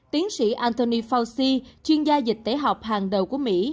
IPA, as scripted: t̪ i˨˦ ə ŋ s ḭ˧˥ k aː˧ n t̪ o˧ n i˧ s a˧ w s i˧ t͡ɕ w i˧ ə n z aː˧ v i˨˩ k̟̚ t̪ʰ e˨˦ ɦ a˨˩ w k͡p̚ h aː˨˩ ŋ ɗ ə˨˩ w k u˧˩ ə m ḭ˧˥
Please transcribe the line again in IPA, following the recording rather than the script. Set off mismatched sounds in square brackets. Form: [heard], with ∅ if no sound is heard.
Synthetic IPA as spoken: t̪ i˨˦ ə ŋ s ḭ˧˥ [ʔ] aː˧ n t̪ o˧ n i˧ [f] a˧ w s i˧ t͡ɕ w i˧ ə n z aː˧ [z] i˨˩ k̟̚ [t̪] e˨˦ ɦ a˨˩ w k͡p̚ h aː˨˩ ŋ ɗ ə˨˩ w k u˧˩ ə m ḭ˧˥